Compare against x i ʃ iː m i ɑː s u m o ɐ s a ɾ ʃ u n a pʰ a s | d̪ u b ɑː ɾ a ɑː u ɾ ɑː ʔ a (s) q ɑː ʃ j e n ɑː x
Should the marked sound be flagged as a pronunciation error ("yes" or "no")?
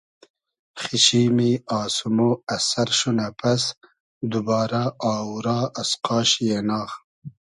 no